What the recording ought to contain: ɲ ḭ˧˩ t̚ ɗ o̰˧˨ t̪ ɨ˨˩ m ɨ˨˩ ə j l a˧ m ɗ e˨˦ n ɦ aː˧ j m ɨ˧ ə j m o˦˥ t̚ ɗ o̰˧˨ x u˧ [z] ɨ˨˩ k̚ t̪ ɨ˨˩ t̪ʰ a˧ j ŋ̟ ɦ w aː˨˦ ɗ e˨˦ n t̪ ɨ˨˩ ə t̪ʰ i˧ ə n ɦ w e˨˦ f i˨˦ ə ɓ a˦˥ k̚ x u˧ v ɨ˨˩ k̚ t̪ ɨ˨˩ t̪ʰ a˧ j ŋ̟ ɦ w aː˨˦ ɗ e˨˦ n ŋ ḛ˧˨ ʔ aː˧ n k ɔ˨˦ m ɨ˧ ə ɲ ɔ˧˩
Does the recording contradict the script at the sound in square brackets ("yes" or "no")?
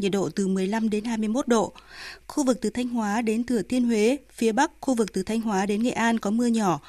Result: yes